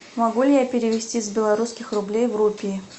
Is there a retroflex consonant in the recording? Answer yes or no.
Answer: no